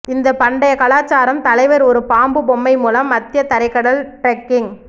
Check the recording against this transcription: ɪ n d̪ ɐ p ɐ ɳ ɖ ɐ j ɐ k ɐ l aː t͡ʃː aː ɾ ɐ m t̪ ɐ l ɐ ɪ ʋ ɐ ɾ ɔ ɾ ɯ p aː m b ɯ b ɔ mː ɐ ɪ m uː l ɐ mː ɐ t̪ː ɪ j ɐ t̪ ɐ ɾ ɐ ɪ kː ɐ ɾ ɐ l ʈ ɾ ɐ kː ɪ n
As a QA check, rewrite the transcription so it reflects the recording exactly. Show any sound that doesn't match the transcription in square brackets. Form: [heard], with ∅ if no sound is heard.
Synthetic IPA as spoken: ɪ n d̪ ɐ p ɐ ɳ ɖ ɐ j ɐ k ɐ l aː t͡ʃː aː ɾ ɐ m t̪ ɐ l ɐ ɪ ʋ ɐ ɾ ɔ ɾ ɯ p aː m b ɯ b ɔ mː ɐ ɪ m uː l ɐ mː ɐ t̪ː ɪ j ɐ t̪ ɐ ɾ ɐ ɪ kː ɐ [ɽ] ɐ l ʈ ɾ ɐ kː ɪ [ŋ]